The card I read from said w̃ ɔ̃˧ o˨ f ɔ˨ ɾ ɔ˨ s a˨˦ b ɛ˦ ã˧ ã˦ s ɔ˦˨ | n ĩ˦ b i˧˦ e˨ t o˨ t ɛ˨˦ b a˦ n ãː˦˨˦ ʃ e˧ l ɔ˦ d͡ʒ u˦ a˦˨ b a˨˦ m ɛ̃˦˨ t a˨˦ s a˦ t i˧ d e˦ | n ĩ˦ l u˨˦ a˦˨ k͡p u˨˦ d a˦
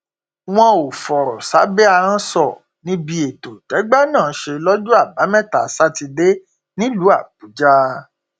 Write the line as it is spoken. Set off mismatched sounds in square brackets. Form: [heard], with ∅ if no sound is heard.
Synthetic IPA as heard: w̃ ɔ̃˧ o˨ f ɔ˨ ɾ ɔ˨ s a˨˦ b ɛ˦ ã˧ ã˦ s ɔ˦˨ | n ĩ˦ b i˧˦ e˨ t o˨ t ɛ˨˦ [ɡ͡b] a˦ n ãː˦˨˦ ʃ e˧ l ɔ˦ d͡ʒ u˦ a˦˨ b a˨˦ m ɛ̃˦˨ t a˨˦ s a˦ t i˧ d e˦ | n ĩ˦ l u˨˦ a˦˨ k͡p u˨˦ [d͡ʒ] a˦